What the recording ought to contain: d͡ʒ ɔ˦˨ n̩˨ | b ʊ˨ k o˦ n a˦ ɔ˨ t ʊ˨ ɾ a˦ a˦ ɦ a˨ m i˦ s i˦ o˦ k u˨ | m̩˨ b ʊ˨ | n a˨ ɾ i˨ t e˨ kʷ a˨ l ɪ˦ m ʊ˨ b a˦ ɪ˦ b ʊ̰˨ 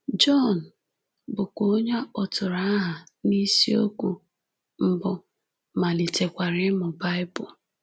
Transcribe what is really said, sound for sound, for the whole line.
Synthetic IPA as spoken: d͡ʒ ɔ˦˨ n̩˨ | b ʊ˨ k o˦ ɲ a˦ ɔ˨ t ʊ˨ ɾ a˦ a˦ ɦ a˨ n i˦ s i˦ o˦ k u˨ | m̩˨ b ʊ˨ | m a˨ l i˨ t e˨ kʷ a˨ ɾ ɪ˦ m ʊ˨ b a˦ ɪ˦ b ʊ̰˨